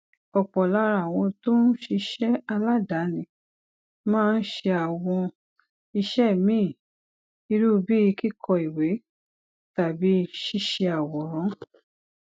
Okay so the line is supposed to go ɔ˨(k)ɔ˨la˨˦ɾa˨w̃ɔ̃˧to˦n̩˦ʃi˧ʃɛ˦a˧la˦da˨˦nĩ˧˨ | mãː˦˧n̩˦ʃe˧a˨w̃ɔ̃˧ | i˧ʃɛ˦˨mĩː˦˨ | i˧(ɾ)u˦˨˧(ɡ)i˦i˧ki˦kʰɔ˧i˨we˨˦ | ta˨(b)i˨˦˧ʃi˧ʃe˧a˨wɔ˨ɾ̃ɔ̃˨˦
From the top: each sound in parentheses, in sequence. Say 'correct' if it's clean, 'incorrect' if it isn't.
incorrect: k͡p, correct, incorrect: b, correct

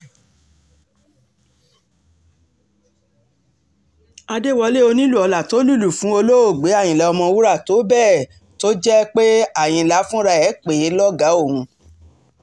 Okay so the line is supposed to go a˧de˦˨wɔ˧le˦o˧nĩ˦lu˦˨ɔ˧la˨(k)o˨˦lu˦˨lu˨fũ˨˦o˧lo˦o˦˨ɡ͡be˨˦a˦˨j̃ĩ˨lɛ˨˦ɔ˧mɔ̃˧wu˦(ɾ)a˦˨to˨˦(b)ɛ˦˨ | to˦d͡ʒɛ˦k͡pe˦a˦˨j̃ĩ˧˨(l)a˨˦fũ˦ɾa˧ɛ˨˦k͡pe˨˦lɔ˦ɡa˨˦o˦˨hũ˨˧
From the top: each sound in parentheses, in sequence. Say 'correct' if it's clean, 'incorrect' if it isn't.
incorrect: t, correct, correct, correct

